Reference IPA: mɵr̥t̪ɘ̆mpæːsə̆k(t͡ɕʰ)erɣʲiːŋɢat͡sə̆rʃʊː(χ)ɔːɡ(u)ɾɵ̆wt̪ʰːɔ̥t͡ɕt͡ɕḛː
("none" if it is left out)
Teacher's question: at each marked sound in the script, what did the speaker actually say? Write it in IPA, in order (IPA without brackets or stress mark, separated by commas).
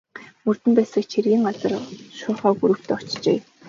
t͡ɕʰ, χ, u